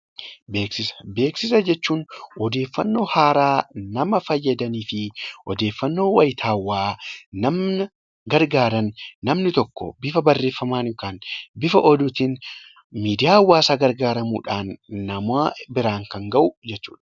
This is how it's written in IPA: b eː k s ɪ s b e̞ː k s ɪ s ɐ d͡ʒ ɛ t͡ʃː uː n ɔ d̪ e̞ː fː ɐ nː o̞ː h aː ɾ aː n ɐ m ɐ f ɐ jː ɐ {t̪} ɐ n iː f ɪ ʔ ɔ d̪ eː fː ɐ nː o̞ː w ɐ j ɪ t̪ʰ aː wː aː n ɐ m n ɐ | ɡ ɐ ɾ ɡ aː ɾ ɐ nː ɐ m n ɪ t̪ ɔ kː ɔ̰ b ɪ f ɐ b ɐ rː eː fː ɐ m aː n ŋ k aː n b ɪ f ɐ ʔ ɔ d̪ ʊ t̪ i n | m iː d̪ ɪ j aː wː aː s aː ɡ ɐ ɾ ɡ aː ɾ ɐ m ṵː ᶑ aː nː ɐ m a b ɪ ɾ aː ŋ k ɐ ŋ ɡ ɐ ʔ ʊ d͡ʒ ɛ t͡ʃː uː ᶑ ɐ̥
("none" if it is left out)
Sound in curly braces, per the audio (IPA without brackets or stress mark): d̪